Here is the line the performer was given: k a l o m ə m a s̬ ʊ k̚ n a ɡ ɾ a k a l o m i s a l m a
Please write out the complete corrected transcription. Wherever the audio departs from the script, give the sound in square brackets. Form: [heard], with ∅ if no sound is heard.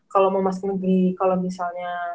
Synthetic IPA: k a l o m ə m a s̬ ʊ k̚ n [ə] ɡ ɾ [i] k a l o m i s a l [ɲ] a